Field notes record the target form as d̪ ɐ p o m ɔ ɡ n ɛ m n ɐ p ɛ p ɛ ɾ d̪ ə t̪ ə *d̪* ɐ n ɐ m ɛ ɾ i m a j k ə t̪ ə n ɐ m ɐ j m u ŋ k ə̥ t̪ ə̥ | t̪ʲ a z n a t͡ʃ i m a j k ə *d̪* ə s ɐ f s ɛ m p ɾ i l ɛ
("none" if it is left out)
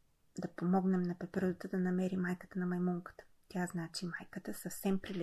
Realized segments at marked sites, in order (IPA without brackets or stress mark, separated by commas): d̪, t̪